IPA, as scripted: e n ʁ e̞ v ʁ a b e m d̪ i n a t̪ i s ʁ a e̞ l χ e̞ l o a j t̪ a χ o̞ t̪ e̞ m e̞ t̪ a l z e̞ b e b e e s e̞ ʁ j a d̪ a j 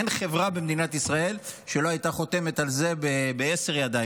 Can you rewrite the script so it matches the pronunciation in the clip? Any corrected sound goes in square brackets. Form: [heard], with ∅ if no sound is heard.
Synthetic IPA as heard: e n [χ] e̞ v ʁ a b e m d̪ i n a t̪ i s ʁ a e̞ l [ʃ] e̞ l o a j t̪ a χ o̞ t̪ e̞ m e̞ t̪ a l z e̞ b e b e e s e̞ ʁ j a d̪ a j